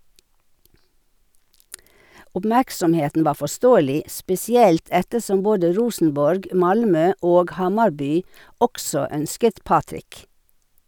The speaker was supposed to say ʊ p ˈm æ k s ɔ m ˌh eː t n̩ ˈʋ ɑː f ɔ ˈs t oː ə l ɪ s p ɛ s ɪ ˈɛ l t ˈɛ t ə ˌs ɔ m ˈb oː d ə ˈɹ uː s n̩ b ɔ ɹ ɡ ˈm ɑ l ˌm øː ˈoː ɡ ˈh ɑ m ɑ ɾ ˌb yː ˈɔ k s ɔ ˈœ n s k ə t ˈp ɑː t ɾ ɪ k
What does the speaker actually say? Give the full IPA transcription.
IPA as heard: ʊ p ˈm æ k s ɔ m ˌh eː t n̩ ˈʋ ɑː f ɔ ˈs t oː ə l ɪ s p ɛ s ɪ ˈɛ l t ˈɛ t ə ˌs ɔ m ˈb oː d ə ˈɹ uː s n̩ b ɔ ɹ ɡ ˈm ɑ l ˌm øː ˈoː ɡ ˈh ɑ m ɑ ɾ ˌb yː ˈɔ k s ɔ ˈœ n s k ə t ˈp ɑː t ɾ ɪ k